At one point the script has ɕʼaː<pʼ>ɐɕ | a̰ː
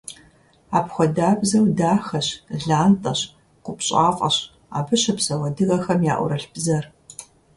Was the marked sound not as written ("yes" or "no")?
yes